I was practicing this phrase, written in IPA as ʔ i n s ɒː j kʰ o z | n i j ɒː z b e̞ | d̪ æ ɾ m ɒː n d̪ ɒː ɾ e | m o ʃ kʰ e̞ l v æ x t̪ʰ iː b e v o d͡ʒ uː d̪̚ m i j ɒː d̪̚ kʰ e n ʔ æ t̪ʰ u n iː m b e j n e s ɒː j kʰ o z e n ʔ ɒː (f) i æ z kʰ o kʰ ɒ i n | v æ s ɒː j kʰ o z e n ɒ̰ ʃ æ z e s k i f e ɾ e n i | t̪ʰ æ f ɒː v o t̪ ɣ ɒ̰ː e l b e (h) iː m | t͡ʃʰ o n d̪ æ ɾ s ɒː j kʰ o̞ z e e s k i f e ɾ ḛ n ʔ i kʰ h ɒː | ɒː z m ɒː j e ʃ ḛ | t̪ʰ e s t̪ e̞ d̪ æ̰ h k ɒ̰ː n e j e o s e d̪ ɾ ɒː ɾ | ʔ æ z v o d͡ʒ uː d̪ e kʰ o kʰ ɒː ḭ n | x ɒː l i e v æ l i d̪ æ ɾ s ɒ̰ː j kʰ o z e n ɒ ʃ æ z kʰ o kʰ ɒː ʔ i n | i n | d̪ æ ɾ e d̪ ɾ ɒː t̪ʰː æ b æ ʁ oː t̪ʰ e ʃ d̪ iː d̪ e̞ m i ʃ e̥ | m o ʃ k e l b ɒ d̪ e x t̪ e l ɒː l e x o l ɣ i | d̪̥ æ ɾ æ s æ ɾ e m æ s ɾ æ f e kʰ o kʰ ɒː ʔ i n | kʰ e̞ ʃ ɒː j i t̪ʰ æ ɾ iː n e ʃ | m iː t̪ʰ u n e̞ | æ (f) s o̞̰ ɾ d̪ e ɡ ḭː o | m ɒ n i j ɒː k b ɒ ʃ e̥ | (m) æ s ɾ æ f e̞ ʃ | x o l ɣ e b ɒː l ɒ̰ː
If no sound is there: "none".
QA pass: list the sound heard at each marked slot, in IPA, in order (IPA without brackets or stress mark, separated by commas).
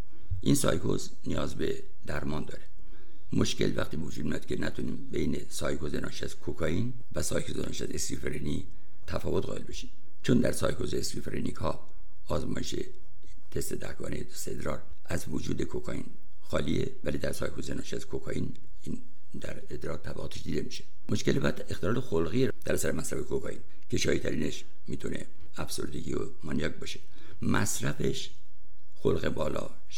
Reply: ʃ, ʃ, f, m